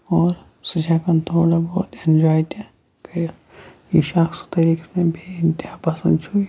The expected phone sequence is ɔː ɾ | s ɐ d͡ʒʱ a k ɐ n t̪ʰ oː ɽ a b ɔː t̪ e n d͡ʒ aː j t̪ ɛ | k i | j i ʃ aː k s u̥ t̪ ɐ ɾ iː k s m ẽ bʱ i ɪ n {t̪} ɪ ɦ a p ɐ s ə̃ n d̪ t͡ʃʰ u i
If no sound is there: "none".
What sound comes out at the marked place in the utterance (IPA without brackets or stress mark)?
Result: t̪